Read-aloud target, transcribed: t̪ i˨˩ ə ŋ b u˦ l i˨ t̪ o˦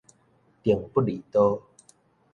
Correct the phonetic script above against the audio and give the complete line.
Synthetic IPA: t̪ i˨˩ ə ŋ p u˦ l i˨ t̪ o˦